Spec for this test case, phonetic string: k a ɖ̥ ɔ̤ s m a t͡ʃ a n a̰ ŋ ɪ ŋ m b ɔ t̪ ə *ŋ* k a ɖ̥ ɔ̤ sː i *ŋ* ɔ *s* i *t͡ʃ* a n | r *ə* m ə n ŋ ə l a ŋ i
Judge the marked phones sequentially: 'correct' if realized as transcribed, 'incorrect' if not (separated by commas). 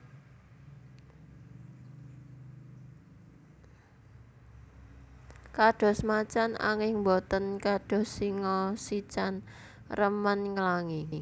incorrect, correct, correct, correct, correct